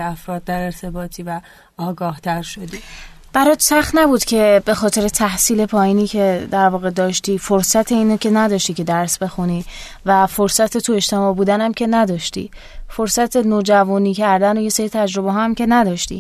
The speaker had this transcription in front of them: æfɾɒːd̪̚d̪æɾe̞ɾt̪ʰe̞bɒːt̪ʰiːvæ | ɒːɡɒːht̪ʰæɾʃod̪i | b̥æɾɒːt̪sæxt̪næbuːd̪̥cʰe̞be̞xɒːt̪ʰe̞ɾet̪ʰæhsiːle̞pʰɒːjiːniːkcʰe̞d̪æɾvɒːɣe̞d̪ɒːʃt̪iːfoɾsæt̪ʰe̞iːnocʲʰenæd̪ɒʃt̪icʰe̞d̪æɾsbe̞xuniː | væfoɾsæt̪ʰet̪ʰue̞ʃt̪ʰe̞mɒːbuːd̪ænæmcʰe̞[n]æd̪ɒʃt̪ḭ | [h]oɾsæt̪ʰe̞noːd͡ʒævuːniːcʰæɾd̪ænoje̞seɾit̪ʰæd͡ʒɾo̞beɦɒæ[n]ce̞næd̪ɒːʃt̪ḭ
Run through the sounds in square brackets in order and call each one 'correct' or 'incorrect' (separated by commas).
correct, incorrect, incorrect